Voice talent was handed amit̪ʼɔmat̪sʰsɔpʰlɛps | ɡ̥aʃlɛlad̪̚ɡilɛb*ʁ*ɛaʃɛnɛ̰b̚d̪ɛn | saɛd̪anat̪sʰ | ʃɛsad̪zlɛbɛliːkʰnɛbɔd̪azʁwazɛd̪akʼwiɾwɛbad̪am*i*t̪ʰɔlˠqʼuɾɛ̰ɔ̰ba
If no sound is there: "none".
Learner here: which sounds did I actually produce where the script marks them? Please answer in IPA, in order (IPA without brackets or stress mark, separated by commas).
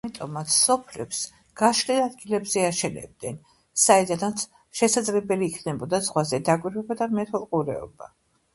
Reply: z, ɛ